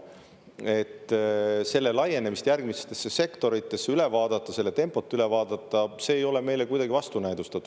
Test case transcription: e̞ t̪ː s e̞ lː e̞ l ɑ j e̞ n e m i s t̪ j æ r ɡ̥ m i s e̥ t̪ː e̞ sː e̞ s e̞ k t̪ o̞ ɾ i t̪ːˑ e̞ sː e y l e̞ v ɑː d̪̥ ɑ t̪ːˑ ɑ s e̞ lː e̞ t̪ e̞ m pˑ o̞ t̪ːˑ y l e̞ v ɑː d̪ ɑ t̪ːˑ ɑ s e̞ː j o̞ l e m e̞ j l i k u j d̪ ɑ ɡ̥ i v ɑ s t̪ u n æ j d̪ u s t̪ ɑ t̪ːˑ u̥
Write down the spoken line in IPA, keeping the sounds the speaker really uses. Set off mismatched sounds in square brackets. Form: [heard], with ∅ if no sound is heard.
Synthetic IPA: e̞ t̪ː s e̞ lː e̞ l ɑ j e̞ n e m i s t̪ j æ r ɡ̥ m i s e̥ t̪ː e̞ sː e̞ s e̞ k t̪ o̞ ɾ i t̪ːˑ e̞ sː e y l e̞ v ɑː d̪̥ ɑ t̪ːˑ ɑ s e̞ lː e̞ t̪ e̞ m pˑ o̞ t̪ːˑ y l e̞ v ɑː d̪ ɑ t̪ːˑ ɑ s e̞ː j o̞ l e m e̞ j l [e] k u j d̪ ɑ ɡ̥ i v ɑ s t̪ u n æ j d̪ u s t̪ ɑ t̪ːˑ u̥